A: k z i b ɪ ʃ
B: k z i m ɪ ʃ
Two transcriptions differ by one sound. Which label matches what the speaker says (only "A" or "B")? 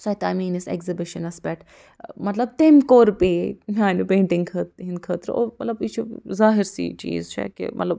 A